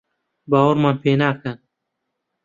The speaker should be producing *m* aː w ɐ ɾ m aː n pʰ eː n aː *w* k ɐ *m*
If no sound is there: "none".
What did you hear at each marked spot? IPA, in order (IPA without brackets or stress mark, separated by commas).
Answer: b, none, n